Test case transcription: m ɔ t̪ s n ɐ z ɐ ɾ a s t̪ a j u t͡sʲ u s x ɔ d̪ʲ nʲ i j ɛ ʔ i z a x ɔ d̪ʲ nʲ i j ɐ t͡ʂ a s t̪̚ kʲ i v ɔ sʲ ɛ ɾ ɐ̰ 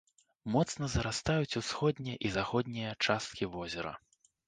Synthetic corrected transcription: m ɔ t̪ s n ɐ z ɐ ɾ a s t̪ a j u t͡sʲ u s x ɔ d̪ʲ nʲ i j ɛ ʔ i z a x ɔ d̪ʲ nʲ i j ɐ t͡ʂ a s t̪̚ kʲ i v ɔ zʲ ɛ ɾ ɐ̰